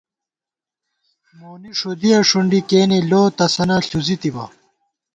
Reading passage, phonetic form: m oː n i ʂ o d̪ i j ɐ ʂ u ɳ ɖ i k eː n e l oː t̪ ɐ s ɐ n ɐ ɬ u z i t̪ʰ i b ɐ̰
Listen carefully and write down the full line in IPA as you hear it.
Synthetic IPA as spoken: m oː n i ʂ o d̪ i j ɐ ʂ u ɳ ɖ i k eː n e l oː t̪ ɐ s ɐ n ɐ ɬ u z i t̪ i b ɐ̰